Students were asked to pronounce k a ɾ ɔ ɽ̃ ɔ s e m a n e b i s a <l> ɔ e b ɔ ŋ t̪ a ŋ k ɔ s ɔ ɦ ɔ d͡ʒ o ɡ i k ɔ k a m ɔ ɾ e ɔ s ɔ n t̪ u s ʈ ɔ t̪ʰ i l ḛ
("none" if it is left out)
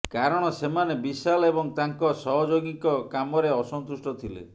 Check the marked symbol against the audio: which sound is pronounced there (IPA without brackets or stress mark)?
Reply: l